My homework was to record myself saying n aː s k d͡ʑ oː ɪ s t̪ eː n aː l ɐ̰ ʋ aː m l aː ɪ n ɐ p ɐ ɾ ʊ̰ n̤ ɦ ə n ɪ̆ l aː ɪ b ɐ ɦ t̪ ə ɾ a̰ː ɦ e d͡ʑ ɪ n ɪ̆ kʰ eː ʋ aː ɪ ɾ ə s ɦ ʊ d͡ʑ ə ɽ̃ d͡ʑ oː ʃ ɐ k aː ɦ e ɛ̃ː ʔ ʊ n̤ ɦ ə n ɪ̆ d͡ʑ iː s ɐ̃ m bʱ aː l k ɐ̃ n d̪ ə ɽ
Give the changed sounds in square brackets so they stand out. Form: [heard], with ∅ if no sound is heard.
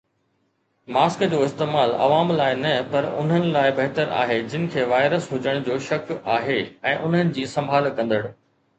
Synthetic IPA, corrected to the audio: [m] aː s k d͡ʑ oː ɪ s t̪ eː [m] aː l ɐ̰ ʋ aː m l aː ɪ n ɐ p ɐ ɾ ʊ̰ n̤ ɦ ə n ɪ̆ l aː ɪ b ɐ ɦ t̪ ə ɾ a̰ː ɦ e d͡ʑ ɪ n ɪ̆ kʰ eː ʋ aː ɪ ɾ ə s ɦ ʊ d͡ʑ ə ɽ̃ d͡ʑ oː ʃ ɐ k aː ɦ e ɛ̃ː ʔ ʊ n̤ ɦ ə n ɪ̆ d͡ʑ iː s ɐ̃ m bʱ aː l k ɐ̃ n d̪ ə ɽ